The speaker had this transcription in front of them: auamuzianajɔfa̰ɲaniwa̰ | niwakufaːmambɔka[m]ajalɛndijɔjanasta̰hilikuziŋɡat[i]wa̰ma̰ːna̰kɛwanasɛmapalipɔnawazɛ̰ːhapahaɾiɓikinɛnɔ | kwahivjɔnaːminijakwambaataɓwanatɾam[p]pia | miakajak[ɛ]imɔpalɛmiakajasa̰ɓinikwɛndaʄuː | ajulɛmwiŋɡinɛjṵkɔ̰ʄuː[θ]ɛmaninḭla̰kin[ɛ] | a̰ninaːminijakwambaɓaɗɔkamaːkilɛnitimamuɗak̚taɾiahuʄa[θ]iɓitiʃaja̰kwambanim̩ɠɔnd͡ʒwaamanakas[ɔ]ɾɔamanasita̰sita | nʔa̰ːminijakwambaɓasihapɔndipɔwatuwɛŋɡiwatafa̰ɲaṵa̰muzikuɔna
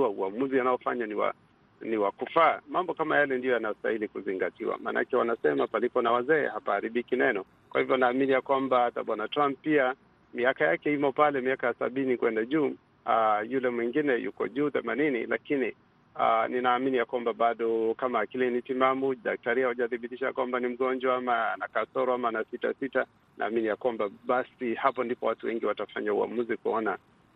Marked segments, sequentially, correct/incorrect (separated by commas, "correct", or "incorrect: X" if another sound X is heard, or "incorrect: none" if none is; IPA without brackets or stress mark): correct, correct, correct, correct, correct, incorrect: i, correct, correct